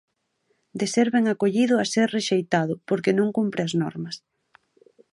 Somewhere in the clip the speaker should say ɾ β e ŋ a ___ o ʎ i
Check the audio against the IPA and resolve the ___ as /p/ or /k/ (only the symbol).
k